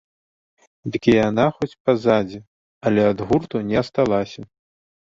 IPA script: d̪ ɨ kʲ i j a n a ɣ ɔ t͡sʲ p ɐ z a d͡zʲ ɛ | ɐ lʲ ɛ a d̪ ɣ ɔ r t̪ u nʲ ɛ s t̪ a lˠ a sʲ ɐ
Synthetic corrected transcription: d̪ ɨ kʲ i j a n a x ɔ t͡sʲ p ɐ z a d͡zʲ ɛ | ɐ lʲ ɛ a d̪ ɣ u r t̪ u nʲ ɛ s t̪ a lˠ a sʲ ɐ